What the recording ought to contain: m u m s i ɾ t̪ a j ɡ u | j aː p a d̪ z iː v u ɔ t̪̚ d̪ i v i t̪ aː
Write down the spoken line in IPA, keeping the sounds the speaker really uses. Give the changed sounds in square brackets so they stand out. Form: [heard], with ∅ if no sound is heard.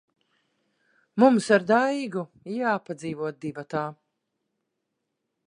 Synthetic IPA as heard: m u m s [a] ɾ [d̪] a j ɡ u | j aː p a d̪ z iː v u ɔ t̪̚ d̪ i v [a] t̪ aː